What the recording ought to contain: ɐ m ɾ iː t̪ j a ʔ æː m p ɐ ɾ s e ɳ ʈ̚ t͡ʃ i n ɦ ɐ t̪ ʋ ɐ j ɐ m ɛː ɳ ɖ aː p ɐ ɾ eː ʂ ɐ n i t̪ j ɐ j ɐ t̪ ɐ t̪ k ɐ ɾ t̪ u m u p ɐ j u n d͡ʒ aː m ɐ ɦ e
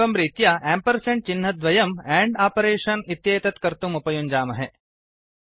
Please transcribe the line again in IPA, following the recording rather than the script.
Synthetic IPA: ɐ m ɾ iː t̪ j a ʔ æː m p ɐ ɾ s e ɳ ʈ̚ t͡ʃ i n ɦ ɐ d̪ ʋ ɐ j ɐ m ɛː ɳ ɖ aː p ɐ ɾ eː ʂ ɐ n i t̪ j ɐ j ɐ t̪ ɐ t̪ k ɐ ɾ t̪ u m u p ɐ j u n d͡ʒ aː m ɐ ɦ e